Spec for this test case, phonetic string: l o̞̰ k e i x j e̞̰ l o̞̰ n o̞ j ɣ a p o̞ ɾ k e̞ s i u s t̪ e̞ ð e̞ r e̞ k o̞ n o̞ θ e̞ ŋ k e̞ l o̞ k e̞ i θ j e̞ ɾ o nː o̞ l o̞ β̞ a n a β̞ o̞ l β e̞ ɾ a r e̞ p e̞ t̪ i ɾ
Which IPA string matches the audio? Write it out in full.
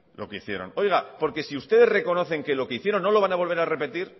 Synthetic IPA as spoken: l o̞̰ k e i θ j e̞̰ ɾ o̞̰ n o̞ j ɣ a p o̞ ɾ k e̞ s i u s t̪ e̞ ð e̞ r e̞ k o̞ n o̞ θ e̞ ŋ k e̞ l o̞ k e̞ i θ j e̞ ɾ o nː o̞ l o̞ β̞ a n a β̞ o̞ l β e̞ ɾ a r e̞ p e̞ t̪ i ɾ